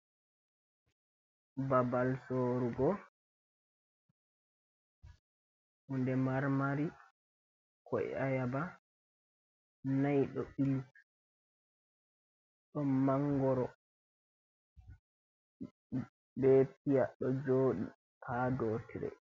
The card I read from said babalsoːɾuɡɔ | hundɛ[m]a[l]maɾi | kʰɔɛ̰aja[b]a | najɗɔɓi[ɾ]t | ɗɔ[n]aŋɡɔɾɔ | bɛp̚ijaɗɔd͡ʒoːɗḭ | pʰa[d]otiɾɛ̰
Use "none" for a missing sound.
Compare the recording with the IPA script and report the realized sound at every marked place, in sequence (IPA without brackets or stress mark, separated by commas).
m, ɾ, b, l, m, d